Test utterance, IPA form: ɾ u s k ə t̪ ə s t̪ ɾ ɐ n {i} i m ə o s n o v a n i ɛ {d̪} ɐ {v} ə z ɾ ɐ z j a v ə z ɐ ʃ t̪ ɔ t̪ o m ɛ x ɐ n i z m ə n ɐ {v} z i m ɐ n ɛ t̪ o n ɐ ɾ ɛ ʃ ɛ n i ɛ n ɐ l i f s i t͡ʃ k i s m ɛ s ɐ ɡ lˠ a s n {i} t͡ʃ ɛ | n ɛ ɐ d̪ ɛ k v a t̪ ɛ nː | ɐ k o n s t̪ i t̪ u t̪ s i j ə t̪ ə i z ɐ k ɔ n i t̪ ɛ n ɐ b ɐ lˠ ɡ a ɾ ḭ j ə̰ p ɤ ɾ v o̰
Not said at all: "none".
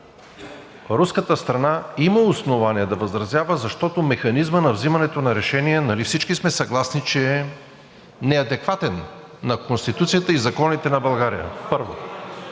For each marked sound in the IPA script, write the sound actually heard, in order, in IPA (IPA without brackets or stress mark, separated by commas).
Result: a, d̪, v, v, i